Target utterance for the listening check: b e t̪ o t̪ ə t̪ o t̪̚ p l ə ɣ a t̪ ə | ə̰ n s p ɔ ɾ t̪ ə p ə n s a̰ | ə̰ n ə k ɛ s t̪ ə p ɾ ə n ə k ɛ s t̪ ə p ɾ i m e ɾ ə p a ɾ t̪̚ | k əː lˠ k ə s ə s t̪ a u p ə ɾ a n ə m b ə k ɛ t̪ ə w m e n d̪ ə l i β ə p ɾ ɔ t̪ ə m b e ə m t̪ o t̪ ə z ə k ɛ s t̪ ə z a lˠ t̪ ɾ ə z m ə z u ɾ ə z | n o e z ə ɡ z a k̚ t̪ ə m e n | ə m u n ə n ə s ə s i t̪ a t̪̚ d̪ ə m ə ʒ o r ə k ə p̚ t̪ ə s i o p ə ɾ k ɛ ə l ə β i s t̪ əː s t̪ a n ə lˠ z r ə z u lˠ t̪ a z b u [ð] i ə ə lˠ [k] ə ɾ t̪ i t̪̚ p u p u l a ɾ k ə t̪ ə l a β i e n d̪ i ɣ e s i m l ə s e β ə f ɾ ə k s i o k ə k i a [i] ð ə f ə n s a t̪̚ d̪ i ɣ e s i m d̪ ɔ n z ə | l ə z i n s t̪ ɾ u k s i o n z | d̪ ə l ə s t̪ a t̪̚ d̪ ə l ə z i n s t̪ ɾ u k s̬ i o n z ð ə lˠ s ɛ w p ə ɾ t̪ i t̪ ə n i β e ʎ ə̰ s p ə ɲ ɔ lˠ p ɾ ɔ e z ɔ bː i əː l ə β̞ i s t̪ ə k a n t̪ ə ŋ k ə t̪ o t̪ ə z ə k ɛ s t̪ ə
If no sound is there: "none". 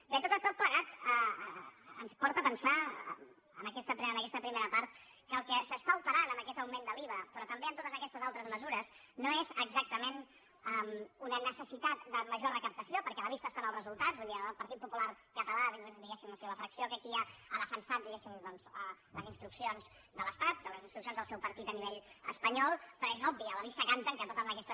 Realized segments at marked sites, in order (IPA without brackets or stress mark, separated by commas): ð, p, a